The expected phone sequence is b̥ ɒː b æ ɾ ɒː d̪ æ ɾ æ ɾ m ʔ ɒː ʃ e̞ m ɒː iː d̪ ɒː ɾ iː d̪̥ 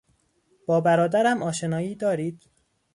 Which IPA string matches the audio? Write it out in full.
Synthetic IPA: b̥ ɒː b æ ɾ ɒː d̪ æ ɾ æ m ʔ ɒː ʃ e̞ n ɒː iː d̪ ɒː ɾ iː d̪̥